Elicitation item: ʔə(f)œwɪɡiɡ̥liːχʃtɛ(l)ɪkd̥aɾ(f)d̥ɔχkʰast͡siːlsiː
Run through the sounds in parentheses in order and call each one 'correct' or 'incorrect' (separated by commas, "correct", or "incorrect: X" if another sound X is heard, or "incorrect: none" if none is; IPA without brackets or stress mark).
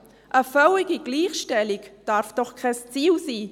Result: correct, correct, correct